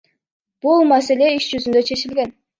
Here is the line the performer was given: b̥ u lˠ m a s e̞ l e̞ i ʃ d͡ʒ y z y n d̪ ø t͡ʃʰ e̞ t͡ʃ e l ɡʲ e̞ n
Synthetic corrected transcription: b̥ u lˠ m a s e̞ l e̞ i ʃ d͡ʒ y z y n d̪ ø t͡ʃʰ e̞ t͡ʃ i l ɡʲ e̞ n

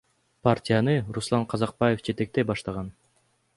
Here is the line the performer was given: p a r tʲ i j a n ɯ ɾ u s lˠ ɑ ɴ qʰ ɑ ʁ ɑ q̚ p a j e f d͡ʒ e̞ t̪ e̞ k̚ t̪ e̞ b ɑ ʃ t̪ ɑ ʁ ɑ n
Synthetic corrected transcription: p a r tʲ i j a n ɯ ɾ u s lˠ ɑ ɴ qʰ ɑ z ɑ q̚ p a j e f d͡ʒ e̞ t̪ e̞ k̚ t̪ e̞ b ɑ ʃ t̪ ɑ ʁ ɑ n

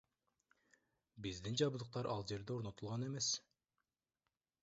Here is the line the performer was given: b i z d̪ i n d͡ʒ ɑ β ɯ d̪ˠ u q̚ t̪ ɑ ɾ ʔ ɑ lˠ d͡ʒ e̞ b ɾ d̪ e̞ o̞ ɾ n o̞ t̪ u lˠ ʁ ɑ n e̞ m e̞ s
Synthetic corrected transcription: b i z d̪ i n d͡ʒ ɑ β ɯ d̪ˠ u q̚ t̪ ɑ ɾ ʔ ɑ lˠ d͡ʒ e̞ ɾ d̪ e̞ o̞ ɾ n o̞ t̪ u lˠ ʁ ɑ n e̞ m e̞ s

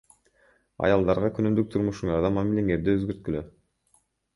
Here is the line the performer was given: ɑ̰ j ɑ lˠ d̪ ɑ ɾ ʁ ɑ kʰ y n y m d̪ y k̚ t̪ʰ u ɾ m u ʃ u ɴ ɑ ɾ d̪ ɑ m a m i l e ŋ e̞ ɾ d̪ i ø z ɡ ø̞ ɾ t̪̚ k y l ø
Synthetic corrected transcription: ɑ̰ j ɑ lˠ d̪ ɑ ɾ ʁ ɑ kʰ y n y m d̪ y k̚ t̪ʰ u ɾ m u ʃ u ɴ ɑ ɾ d̪ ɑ m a m i l e ŋ e̞ ɾ d̪ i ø z ɡ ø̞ ɾ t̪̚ k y l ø

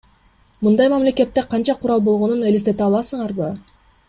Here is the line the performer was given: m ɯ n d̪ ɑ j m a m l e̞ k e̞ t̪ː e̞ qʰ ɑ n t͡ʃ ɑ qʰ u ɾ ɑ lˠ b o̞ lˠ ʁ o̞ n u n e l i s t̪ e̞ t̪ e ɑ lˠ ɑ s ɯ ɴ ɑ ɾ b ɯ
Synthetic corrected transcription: m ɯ n d̪ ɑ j m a m l e̞ k e̞ t̪ː e̞ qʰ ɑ n t͡ʃ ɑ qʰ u ɾ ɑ lˠ b o̞ lˠ ʁ o̞ n u n e l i s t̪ e̞ t̪ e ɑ lˠ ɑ s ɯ ɴ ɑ ɾ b ɯ

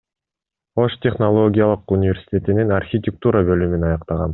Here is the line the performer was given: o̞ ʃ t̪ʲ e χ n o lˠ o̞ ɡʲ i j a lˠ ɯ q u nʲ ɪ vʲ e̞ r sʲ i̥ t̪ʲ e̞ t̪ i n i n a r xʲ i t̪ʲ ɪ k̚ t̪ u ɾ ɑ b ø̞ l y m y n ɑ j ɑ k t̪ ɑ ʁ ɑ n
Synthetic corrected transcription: o̞ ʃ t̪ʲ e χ n o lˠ o̞ ɡʲ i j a lˠ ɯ q u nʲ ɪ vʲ e̞ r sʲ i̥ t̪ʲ e̞ t̪ i n i n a r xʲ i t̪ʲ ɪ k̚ t̪ u ɾ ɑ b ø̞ l y m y n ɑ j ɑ q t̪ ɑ ʁ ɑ n

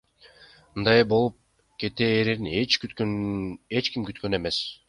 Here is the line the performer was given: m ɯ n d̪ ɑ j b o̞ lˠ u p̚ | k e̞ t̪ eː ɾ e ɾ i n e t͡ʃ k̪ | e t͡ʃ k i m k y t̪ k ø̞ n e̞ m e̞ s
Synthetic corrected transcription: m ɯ n d̪ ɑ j b o̞ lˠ u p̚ | k e̞ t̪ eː ɾ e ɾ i n e t͡ʃ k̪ | e t͡ʃ k i m k y t̪ k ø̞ n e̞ m e̞ s

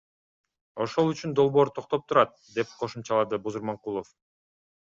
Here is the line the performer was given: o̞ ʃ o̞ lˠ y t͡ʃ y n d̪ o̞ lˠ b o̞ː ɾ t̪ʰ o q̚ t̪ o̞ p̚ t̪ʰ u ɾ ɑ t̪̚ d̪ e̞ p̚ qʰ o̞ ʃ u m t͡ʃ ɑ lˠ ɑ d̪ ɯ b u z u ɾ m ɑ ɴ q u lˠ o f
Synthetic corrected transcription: o̞ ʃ o̞ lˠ y t͡ʃ y n d̪ o̞ lˠ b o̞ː ɾ t̪ʰ o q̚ t̪ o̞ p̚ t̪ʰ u ɾ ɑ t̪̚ d̪ e̞ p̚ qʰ o̞ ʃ u m t͡ʃ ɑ lˠ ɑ d̪ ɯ b u z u ɾ m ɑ ɴ q u lˠ o f

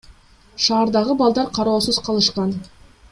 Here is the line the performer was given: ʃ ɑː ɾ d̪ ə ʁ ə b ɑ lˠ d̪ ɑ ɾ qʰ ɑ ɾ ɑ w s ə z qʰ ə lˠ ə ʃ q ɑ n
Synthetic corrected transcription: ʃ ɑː ɾ d̪ ɑ ʁ ə b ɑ lˠ d̪ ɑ ɾ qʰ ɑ ɾ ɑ w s ə z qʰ ɑ lˠ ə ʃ q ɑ n

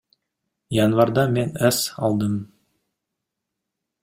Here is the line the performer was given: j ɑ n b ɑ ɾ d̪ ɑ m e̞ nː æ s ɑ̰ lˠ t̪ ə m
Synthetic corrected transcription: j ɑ n v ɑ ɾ d̪ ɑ m e̞ n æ s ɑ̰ lˠ d̪ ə m

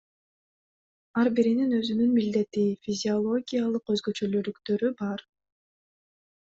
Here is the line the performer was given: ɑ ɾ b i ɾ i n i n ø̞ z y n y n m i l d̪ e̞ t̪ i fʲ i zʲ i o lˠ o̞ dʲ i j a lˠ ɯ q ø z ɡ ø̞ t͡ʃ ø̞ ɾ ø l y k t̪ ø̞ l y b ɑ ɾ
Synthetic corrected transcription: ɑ ɾ b i ɾ i n i n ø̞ z y n y n m i l d̪ e̞ t̪ i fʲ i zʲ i o lˠ o̞ ɡʲ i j a lˠ ɯ q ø z ɡ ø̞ t͡ʃ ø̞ l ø l y k t̪ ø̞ ɾ y b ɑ ɾ

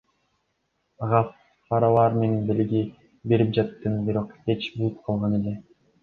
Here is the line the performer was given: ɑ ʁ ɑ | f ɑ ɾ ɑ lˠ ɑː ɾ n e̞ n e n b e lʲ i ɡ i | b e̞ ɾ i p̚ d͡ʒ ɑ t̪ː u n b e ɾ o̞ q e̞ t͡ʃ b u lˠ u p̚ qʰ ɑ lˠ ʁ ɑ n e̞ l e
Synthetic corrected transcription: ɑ ʁ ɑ | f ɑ ɾ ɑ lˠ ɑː ɾ m e̞ n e n b e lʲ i ɡ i | b e̞ ɾ i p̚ d͡ʒ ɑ t̪ː ɯ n b i ɾ o̞ q e̞ t͡ʃ b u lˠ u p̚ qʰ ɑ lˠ ʁ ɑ n e̞ l e

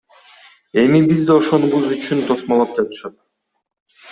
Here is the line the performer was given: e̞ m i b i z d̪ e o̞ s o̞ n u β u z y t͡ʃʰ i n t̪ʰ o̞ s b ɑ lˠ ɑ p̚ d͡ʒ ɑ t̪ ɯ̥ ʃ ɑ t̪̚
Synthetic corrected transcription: e̞ m i b i z d̪ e o̞ ʃ o̞ n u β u z y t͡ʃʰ y n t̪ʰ o̞ s m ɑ lˠ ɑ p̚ d͡ʒ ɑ t̪ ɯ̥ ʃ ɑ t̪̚

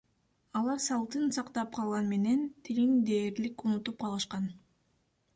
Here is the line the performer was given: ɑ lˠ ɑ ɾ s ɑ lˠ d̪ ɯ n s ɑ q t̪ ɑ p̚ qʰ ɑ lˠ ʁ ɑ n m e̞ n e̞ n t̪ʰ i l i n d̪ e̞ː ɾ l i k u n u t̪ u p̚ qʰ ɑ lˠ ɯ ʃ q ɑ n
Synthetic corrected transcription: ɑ lˠ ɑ ɾ s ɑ lˠ t̪ ɯ n s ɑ q t̪ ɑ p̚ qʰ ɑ lˠ ʁ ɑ n m e̞ n e̞ n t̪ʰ i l i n d̪ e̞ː ɾ l i k u n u t̪ u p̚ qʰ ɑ lˠ ɯ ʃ q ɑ n

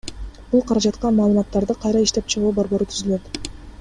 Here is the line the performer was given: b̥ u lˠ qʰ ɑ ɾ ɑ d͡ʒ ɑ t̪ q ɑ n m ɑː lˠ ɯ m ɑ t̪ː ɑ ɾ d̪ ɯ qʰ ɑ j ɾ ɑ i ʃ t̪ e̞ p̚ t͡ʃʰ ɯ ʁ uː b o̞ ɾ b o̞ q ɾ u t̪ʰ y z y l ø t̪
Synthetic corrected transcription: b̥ u lˠ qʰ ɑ ɾ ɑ d͡ʒ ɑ t̪ q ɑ n m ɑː lˠ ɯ m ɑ t̪ː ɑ ɾ d̪ ɯ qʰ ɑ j ɾ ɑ i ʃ t̪ e̞ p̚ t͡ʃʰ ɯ ʁ uː b o̞ ɾ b o̞ ɾ u t̪ʰ y z y l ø t̪

